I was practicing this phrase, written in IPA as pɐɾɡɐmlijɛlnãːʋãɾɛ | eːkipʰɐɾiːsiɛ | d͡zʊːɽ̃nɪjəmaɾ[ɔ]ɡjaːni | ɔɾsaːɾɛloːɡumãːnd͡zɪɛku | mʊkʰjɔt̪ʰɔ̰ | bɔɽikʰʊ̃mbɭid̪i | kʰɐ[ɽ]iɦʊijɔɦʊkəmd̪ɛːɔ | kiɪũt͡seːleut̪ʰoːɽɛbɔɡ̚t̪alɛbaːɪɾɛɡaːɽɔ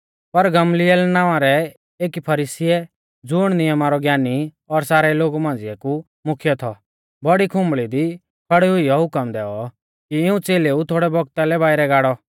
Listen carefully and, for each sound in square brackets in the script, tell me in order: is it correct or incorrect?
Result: correct, correct

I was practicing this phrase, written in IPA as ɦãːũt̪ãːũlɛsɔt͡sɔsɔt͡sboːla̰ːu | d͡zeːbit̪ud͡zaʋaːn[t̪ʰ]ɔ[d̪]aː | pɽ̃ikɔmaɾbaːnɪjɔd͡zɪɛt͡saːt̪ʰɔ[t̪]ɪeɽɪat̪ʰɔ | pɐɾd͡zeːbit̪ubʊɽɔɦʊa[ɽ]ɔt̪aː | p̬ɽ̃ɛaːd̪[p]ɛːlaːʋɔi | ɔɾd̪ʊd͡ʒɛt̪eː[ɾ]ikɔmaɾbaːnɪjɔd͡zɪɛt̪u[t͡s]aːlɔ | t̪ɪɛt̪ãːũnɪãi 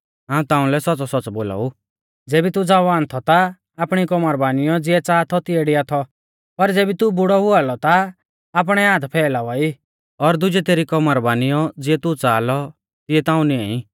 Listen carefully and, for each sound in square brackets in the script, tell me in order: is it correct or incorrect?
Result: correct, incorrect: t̪, correct, incorrect: l, incorrect: pʰ, correct, correct

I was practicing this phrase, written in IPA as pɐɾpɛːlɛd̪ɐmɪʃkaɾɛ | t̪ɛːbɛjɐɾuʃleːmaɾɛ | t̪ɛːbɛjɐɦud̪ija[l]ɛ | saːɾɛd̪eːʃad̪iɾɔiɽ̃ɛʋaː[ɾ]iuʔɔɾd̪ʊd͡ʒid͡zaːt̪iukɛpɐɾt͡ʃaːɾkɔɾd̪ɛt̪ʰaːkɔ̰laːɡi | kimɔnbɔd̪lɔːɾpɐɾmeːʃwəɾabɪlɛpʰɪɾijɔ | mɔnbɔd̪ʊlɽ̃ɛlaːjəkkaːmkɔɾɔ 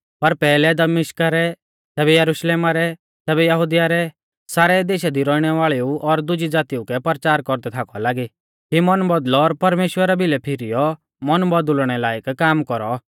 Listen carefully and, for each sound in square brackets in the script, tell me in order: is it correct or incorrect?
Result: incorrect: ɾ, incorrect: ɭ

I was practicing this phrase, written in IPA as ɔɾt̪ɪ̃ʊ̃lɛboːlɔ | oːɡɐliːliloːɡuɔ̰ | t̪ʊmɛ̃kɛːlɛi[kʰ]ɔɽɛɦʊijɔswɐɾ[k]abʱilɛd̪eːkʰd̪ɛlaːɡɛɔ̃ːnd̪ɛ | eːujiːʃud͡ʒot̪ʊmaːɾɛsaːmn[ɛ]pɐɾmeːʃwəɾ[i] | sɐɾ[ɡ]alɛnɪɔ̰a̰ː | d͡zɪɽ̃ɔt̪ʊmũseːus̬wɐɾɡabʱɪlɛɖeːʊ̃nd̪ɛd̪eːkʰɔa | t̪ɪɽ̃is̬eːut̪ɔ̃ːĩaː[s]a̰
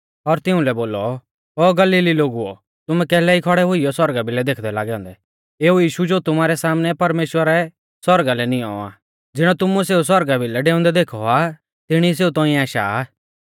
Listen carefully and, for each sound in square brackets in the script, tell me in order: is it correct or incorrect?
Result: correct, incorrect: ɡ, correct, incorrect: ɛ, correct, incorrect: ʃ

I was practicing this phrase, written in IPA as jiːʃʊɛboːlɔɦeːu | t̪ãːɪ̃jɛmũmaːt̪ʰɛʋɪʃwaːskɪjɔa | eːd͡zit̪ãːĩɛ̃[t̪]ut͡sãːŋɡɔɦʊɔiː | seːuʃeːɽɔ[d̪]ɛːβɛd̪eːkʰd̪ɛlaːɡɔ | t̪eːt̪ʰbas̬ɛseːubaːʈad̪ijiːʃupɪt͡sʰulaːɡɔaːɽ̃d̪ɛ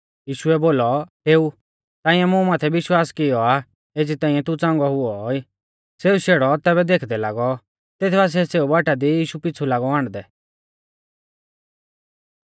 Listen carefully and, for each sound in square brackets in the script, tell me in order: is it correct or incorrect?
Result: correct, incorrect: t̪

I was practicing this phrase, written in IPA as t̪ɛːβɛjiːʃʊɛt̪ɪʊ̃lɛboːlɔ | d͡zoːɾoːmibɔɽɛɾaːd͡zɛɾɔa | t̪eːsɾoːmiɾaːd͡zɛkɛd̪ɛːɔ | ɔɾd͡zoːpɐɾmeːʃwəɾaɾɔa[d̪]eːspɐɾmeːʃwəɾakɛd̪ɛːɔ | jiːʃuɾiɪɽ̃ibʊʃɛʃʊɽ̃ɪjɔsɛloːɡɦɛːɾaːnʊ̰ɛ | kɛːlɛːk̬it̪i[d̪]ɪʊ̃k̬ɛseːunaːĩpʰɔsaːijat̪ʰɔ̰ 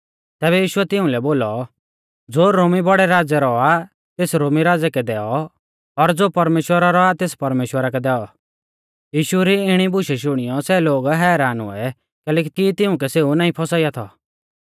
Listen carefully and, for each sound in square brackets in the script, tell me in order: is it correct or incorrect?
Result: incorrect: t̪, incorrect: t̪

